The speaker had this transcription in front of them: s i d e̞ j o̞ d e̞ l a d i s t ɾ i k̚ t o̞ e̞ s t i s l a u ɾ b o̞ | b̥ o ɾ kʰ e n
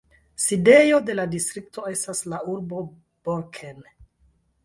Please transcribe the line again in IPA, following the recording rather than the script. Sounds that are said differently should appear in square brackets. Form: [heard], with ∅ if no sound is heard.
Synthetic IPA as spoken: s i d e̞ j o̞ d e̞ l a d i s t ɾ i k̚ t o̞ e̞ s t [a] s l a u ɾ b o̞ | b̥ o ɾ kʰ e n

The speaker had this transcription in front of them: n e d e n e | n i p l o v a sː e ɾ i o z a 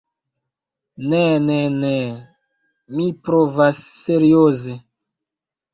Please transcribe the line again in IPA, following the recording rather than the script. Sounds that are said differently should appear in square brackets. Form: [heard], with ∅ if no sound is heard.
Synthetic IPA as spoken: n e [n] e n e | [m] i p [ɾ] o v a sː e ɾ i o z [e]

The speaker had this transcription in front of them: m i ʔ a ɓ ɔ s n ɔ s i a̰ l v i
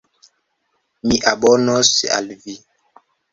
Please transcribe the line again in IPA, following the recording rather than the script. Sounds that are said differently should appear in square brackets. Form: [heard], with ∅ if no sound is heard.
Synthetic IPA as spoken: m i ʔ a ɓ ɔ [∅] n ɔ s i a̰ l v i

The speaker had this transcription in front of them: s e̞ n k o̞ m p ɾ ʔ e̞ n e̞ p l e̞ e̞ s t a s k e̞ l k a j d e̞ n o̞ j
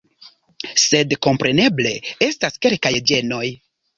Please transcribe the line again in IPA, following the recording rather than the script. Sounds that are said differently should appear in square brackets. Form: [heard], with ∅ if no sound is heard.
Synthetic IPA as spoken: s e̞ [d] k o̞ m p ɾ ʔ e̞ n e̞ [b] l e̞ e̞ s t a s k e̞ l k a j [d͡ʒ] e̞ n o̞ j

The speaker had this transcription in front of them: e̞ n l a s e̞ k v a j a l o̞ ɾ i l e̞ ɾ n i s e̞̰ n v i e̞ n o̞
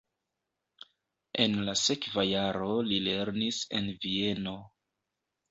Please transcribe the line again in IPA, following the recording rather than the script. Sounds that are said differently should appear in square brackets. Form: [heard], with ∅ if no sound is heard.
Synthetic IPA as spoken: e̞ n l a s e̞ k v a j a [ɾ] o̞ [l] i l e̞ ɾ n i s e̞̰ n v i e̞ n o̞

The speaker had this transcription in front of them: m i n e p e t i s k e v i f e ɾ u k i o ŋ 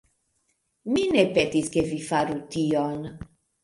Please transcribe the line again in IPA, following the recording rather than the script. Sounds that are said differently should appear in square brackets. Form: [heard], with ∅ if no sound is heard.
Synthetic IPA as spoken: m i n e p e t i s k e v i f [a] ɾ u [t] i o [n]

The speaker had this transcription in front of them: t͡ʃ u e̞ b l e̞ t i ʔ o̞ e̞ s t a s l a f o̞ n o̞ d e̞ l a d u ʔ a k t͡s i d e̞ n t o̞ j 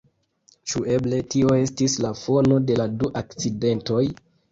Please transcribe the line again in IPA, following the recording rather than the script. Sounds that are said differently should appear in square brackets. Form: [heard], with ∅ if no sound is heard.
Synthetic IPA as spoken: t͡ʃ u e̞ b l e̞ t i [∅] o̞ e̞ s t [i] s l a f o̞ n o̞ d e̞ l a d u ʔ a k t͡s i d e̞ n t o̞ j

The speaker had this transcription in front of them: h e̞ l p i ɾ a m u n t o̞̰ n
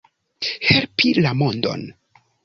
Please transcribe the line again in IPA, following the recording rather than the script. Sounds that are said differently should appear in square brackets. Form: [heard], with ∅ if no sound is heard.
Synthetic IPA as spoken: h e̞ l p i [l] a m [o] n [d] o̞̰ n

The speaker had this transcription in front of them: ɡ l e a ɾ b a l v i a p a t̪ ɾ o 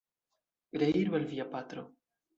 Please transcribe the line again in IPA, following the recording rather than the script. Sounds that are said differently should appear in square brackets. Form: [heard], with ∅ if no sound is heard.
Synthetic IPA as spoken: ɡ [ɾ] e [i] ɾ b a l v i a p a t̪ ɾ o

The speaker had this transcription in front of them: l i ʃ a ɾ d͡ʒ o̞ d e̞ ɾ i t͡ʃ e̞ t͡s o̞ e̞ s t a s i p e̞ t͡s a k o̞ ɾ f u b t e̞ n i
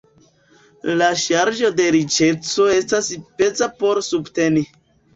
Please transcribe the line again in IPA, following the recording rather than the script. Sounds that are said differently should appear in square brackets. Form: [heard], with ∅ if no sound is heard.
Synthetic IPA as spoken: l [a] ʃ a ɾ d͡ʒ o̞ d e̞ ɾ i t͡ʃ e̞ t͡s o̞ e̞ s t a s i p e̞ t͡s a [p] o̞ ɾ [s] u b t e̞ n i

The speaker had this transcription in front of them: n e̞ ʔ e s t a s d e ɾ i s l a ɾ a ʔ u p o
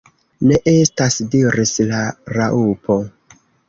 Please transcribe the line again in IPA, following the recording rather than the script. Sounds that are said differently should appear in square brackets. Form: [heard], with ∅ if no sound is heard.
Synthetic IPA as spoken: n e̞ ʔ e s t a s d [i] ɾ i s l a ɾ a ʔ u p o

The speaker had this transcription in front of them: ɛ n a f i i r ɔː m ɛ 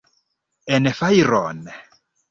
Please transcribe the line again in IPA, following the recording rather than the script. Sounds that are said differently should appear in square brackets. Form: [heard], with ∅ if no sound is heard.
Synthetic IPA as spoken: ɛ n [ɛ] f [a] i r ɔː [n] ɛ

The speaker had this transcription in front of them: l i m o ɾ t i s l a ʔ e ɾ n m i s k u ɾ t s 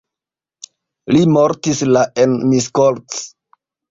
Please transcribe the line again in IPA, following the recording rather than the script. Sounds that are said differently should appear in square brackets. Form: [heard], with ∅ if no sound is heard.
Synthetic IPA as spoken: l i m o ɾ t i s l a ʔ e [∅] n m i s k [o] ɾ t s

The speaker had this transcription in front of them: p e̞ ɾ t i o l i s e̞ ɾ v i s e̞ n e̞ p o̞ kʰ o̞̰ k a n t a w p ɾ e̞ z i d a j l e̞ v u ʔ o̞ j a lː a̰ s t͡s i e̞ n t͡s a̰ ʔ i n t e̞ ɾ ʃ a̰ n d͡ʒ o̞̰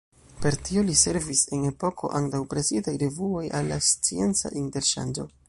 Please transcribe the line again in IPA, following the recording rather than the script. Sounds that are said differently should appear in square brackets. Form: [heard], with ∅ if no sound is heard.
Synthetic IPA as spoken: p e̞ ɾ t i o l i s e̞ ɾ v i s e̞ n e̞ p o̞ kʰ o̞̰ [ʔ] a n t a w p ɾ e̞ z i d a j [ɾ] e̞ v u [∅] o̞ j a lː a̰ s t͡s i e̞ n t͡s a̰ ʔ i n t e̞ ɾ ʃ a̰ n d͡ʒ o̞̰

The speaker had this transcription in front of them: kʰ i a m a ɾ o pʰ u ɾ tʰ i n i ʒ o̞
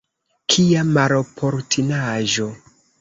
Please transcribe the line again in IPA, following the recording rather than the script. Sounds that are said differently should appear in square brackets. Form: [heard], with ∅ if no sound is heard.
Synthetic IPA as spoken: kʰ i a m a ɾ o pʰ [o] ɾ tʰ i n [a] ʒ o̞

